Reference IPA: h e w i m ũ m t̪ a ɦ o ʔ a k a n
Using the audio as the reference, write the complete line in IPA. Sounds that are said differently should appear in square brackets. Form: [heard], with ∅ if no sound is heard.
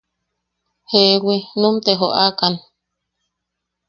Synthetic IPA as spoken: h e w i [n] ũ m t̪ [e] ɦ o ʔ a k a n